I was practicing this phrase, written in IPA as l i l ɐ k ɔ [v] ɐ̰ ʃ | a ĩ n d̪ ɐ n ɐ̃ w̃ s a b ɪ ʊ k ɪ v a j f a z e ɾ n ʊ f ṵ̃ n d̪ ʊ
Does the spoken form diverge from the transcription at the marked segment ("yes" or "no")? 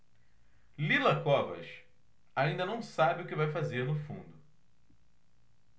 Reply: no